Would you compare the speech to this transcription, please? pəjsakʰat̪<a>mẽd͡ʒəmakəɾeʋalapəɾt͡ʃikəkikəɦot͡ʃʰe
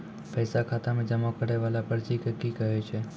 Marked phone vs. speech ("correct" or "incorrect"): correct